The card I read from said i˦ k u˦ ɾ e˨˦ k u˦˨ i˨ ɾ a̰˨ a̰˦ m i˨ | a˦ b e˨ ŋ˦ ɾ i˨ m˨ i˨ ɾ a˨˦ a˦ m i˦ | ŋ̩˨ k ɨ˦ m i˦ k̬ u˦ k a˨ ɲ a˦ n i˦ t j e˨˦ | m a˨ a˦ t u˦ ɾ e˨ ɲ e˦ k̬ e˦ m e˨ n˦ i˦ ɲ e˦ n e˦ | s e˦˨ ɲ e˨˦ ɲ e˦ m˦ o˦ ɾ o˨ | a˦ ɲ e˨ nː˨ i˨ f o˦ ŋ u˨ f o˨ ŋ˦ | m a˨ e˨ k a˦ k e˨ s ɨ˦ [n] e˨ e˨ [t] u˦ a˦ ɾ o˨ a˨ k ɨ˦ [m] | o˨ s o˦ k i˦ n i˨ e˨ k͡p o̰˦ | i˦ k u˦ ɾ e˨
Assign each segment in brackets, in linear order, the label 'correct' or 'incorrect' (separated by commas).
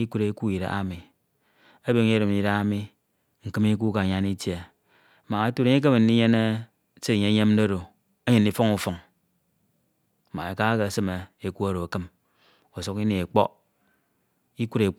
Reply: incorrect, incorrect, correct